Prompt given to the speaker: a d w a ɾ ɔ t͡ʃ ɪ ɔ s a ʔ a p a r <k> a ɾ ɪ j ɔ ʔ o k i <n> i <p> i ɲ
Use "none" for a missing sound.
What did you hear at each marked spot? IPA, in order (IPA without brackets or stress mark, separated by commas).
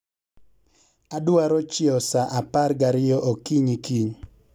ɡ, ɲ, k